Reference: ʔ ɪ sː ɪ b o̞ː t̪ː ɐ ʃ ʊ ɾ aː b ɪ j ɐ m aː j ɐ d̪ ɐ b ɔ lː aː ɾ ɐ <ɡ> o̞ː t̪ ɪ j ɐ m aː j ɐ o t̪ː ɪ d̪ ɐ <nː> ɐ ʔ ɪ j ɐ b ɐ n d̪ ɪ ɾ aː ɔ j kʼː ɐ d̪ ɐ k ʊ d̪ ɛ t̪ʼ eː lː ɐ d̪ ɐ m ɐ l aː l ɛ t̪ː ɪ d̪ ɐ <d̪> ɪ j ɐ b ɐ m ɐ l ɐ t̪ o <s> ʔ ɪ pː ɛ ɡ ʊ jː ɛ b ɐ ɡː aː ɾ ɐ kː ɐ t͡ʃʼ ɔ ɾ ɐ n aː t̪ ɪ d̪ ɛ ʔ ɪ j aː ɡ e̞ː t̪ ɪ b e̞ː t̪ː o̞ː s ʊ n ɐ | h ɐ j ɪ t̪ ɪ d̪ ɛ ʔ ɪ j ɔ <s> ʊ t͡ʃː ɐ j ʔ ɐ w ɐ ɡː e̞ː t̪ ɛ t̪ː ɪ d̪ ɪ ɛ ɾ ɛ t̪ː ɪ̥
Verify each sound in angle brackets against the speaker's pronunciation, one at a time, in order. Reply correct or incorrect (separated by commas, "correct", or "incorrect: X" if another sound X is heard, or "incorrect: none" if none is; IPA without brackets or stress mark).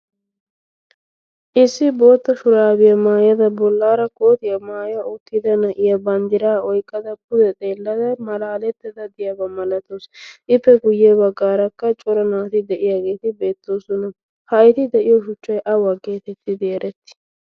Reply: incorrect: k, incorrect: n, correct, correct, incorrect: ʃ